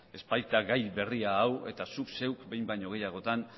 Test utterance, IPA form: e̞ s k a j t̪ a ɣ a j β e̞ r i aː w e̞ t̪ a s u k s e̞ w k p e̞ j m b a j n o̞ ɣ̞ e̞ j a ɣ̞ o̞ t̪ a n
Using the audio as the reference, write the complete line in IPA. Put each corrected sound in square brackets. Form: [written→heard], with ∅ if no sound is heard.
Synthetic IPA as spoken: e̞ s [k→p] a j t̪ a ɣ a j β e̞ r i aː w e̞ t̪ a s u k s e̞ w k [p→b] e̞ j m b a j [n→ɲ] o̞ ɣ̞ e̞ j a ɣ̞ o̞ t̪ a n